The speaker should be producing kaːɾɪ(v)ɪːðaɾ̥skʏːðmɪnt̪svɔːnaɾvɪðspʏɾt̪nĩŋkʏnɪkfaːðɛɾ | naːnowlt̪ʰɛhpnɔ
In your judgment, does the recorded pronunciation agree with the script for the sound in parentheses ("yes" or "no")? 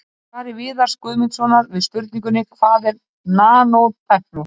yes